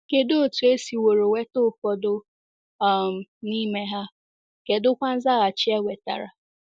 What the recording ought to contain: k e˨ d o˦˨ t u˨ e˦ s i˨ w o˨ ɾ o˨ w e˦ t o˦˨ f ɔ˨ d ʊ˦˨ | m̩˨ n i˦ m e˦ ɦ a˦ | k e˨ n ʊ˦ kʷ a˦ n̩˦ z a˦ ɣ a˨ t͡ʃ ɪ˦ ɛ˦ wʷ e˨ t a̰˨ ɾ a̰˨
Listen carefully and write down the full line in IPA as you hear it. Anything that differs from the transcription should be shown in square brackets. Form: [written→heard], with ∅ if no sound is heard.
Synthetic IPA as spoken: k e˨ d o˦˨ t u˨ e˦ s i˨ w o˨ ɾ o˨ w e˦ t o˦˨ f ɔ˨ d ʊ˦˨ | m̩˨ n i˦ m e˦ ɦ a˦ | k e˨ [n→d] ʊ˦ kʷ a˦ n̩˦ z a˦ ɣ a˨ t͡ʃ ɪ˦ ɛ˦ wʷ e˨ t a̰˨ ɾ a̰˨